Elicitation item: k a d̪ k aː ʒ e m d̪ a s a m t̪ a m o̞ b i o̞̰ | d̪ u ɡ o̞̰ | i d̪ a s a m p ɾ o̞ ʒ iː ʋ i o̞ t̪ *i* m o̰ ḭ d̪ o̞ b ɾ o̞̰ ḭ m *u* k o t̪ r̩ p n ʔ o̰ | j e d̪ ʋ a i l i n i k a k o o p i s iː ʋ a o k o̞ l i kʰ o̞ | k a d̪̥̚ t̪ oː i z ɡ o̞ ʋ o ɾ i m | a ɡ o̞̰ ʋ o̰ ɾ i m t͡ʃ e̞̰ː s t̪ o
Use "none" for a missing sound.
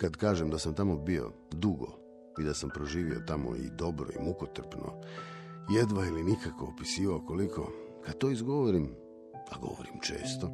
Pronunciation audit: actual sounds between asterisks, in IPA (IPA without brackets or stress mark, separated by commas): a, u